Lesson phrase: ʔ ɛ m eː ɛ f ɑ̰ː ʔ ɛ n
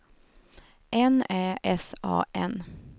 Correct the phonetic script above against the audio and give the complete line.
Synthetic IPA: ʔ ɛ n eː ɛ s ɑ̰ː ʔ ɛ n